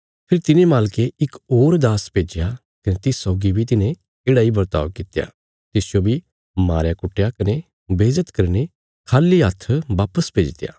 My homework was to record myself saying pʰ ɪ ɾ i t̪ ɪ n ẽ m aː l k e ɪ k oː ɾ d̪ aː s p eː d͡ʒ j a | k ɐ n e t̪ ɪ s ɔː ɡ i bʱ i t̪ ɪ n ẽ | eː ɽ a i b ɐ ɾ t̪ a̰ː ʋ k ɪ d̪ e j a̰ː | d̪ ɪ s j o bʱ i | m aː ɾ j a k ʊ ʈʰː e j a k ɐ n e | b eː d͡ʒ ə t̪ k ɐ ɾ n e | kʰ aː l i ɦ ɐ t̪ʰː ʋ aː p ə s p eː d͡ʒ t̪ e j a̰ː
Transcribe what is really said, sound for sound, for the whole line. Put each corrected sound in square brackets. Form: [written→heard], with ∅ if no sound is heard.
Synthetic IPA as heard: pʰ ɪ ɾ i t̪ ɪ n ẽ m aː l k e ɪ k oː ɾ d̪ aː s p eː d͡ʒ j a | k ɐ n e t̪ ɪ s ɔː ɡ i bʱ i t̪ ɪ n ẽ | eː ɽ a i b ɐ ɾ t̪ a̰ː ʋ k ɪ [d̪→t̪] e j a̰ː | [d̪→t̪] ɪ s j o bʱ i | m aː ɾ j a k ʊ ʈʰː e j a k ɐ n e | b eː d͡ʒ ə t̪ k ɐ ɾ n e | kʰ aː l i ɦ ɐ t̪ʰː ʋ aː p ə s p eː d͡ʒ t̪ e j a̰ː